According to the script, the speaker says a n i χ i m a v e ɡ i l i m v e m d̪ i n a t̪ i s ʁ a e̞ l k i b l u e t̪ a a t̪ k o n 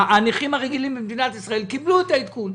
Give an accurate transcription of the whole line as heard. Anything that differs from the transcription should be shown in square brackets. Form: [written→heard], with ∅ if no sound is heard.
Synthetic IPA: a n i χ i m a [v→ʁ] e ɡ i l i m [v→b] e m d̪ i n a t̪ i s ʁ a e̞ l k i b l u e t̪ a [a→i] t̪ k [o→u] n